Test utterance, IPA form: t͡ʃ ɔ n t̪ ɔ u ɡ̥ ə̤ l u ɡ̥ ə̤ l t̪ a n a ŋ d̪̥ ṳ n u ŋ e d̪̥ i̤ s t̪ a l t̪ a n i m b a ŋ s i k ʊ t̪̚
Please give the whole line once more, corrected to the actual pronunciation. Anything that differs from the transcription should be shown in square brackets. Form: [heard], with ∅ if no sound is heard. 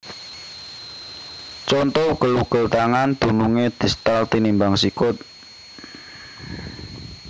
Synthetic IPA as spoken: t͡ʃ ɔ n t̪ ɔ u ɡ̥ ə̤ l u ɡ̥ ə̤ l t̪ a [ŋ] a [n] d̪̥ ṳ n u ŋ e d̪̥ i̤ s t̪ a l t̪ [i] n i m b a ŋ s i k ʊ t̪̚